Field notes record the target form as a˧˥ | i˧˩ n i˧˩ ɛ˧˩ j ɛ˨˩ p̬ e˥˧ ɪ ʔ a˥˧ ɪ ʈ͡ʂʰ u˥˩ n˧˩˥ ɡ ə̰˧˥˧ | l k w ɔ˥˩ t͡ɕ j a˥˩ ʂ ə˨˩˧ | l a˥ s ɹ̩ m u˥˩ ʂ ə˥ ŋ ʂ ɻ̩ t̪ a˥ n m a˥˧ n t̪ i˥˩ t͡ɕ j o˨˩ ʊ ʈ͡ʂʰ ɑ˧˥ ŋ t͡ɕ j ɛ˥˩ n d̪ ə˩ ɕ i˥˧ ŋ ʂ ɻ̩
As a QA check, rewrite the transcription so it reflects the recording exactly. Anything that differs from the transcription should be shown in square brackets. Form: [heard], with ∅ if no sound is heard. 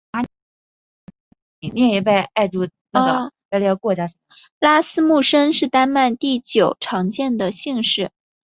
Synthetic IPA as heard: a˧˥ | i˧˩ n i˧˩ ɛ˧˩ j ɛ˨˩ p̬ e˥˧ ɪ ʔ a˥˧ ɪ [ʈ͡ʂ] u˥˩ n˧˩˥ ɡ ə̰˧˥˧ | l k w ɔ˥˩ t͡ɕ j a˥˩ ʂ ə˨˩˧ | l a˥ s ɹ̩ m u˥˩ ʂ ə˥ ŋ ʂ ɻ̩ t̪ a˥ n m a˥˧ n t̪ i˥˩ t͡ɕ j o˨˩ ʊ ʈ͡ʂʰ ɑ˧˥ ŋ t͡ɕ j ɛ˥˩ n d̪ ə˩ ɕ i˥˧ ŋ ʂ ɻ̩